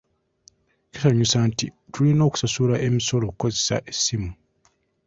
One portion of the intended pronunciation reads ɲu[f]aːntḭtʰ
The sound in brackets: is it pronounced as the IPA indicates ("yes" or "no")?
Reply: no